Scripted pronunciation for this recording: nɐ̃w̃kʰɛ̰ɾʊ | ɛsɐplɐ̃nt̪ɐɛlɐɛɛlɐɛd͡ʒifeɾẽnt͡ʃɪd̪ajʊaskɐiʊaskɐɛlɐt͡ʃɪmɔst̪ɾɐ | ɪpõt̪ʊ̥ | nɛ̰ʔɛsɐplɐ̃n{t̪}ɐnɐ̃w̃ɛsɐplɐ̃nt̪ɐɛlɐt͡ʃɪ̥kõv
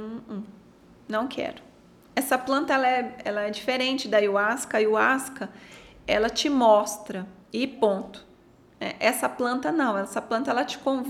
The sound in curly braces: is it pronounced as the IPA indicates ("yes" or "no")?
yes